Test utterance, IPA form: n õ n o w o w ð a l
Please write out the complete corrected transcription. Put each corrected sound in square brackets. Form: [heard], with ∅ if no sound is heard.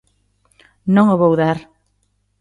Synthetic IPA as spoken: n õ [ŋ] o [β] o w ð a [ɾ]